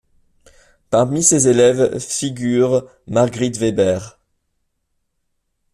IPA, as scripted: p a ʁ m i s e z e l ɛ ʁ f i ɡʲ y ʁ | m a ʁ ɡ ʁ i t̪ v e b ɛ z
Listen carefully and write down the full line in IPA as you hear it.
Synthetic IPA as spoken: p a ʁ m i s e z e l ɛ v f i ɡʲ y ʁ | m a ʁ ɡ ʁ i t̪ v e b ɛ ʁ